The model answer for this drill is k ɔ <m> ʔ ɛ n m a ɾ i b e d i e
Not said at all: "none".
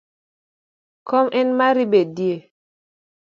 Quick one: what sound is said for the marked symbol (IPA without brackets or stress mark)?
m